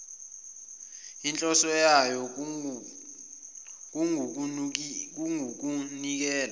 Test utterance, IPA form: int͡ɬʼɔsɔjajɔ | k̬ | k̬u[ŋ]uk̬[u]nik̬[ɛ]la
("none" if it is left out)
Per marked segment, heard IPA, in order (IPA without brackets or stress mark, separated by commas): ŋ, u, ɛː